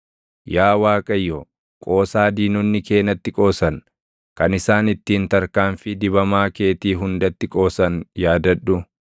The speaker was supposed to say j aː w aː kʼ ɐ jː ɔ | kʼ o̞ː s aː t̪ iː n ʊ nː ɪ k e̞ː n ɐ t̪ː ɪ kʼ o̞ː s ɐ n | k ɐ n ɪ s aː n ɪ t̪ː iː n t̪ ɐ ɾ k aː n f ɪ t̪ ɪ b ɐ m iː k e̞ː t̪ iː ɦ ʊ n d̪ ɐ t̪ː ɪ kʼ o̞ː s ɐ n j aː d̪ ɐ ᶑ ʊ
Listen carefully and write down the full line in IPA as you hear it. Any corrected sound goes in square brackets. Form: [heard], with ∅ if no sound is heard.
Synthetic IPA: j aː w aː kʼ ɐ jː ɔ | kʼ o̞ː s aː [d̪] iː n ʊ nː ɪ k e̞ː n ɐ t̪ː ɪ kʼ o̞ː s ɐ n | k ɐ n ɪ s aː n ɪ t̪ː iː n t̪ ɐ ɾ k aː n f ɪ [d̪] ɪ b ɐ m [aː] k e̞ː t̪ iː ɦ ʊ n d̪ ɐ t̪ː ɪ kʼ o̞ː s ɐ n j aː d̪ ɐ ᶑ ʊ